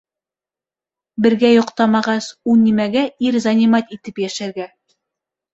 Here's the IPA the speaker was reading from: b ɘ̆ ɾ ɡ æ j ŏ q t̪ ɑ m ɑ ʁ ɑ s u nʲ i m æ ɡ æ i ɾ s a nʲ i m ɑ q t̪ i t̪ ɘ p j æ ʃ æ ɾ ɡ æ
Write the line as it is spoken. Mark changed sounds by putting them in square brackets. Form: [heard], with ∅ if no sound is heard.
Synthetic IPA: b ɘ̆ ɾ ɡ æ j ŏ q t̪ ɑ m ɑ ʁ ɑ s u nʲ i m æ ɡ æ i ɾ [z] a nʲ i m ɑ [∅] t̪ i t̪ ɘ p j æ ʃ æ ɾ ɡ æ